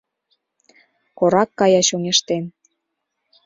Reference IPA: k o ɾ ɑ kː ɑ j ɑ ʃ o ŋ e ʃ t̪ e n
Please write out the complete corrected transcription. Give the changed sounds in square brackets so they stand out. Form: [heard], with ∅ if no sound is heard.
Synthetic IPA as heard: k o ɾ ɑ kː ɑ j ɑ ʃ o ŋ e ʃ t̪ e n